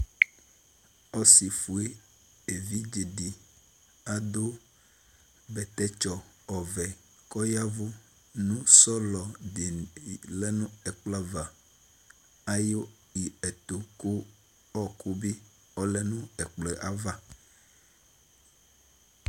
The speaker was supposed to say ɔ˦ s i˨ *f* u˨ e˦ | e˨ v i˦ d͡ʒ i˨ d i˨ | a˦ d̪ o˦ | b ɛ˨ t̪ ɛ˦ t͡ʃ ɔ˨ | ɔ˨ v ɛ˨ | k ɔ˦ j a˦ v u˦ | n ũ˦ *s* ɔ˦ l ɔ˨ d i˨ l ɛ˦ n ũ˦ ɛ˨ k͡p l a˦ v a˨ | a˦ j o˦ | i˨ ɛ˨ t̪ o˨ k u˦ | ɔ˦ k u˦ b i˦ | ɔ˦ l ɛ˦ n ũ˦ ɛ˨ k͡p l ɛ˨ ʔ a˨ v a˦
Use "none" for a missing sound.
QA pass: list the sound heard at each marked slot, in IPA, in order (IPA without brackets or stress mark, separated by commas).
f, s